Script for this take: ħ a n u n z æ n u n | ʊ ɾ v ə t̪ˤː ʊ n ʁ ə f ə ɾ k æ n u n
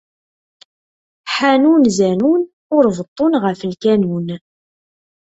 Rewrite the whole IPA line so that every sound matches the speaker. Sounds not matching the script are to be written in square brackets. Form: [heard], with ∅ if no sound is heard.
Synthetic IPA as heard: ħ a n u n z æ n u n | ʊ ɾ v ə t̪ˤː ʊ n ʁ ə f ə [l] k æ n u n